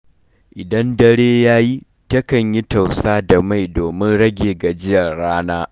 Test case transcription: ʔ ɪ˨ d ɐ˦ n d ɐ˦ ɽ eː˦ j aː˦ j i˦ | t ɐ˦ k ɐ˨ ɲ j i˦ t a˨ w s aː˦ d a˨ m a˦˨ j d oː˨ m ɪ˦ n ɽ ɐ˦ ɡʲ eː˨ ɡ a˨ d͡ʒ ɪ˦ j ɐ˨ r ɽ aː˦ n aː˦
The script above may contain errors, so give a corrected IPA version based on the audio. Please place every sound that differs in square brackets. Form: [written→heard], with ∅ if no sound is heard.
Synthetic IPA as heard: ʔ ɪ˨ d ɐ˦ n d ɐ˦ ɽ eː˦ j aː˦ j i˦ | t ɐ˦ k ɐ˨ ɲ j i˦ t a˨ w s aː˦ d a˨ m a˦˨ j d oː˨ m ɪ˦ n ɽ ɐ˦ ɡʲ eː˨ ɡ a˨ d͡ʒ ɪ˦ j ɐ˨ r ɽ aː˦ n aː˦